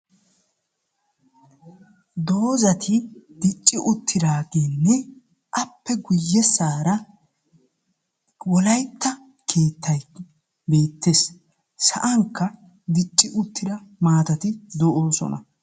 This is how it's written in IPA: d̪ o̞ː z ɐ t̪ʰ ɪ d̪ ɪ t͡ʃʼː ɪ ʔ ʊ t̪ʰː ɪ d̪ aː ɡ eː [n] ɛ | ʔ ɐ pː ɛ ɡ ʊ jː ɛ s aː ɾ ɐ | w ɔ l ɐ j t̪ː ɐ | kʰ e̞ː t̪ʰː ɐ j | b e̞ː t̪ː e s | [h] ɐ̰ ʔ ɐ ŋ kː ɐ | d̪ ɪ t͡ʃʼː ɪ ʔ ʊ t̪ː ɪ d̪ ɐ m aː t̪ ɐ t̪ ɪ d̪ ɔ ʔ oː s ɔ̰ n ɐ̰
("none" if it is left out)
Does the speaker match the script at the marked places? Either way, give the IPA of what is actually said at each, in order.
nː, s

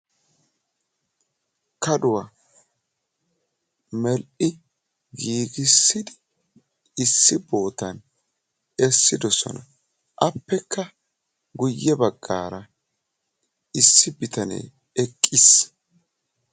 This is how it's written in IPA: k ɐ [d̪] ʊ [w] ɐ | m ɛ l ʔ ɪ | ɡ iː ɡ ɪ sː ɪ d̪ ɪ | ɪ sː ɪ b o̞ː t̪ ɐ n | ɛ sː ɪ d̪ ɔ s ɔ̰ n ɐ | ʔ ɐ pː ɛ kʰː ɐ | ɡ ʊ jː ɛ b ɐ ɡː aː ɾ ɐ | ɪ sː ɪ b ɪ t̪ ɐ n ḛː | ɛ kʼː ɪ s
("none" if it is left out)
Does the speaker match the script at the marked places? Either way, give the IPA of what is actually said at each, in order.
d̪, w

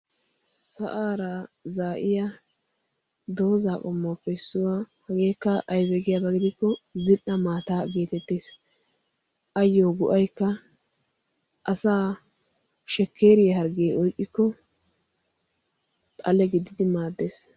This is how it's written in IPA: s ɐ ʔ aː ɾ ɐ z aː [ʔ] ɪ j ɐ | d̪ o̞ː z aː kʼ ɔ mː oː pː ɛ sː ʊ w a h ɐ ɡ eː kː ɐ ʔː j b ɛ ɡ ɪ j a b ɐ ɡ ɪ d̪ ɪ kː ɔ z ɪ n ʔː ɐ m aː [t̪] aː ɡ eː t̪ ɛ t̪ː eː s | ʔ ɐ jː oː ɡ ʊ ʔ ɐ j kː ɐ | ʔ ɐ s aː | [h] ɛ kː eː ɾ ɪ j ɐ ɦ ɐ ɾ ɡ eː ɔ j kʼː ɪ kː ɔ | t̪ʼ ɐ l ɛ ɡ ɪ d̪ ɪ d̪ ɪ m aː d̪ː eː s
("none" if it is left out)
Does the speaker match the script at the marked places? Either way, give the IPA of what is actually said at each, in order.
ʔ, t̪, ʃ

